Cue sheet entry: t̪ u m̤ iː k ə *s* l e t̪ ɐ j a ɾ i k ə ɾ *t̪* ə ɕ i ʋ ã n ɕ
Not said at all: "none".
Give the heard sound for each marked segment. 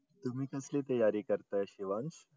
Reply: s, t̪

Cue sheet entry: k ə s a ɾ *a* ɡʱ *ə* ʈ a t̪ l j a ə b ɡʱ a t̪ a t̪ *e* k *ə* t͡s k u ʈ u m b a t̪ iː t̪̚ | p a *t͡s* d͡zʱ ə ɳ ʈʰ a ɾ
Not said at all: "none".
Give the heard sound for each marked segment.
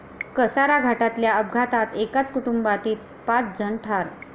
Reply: a, a, e, a, t͡s

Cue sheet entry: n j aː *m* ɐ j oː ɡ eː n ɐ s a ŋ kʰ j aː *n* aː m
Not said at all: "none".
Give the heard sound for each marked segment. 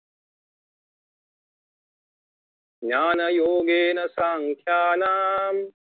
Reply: n, n

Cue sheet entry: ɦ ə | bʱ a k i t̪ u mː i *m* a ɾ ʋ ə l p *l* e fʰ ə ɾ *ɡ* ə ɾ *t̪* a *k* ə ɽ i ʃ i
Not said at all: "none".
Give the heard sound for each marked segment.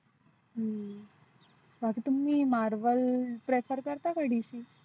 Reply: m, ɾ, k, t̪, k

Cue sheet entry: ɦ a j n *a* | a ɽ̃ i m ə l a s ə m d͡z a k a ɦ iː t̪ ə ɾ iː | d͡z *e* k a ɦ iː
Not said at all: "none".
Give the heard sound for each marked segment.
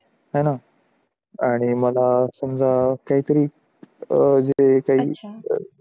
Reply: a, e

